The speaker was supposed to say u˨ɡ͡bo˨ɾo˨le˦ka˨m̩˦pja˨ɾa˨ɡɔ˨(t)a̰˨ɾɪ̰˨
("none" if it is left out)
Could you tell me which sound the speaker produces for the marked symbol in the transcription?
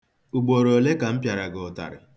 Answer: t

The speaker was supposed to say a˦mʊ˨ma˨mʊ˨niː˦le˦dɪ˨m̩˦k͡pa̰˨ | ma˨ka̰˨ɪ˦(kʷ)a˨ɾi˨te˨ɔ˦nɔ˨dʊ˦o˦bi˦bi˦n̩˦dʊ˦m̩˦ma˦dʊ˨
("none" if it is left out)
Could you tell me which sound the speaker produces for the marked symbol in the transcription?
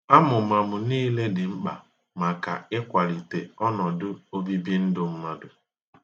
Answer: kʷ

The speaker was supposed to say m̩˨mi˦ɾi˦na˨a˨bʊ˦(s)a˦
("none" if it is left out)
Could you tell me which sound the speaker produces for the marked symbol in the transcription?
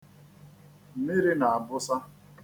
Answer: s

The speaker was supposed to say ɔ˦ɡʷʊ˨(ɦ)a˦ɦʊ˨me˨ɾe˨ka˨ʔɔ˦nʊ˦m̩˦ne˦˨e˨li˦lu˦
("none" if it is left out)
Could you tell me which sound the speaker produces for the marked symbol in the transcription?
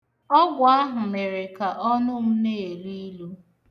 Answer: none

